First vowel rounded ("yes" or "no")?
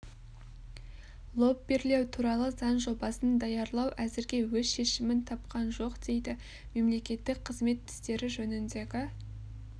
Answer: yes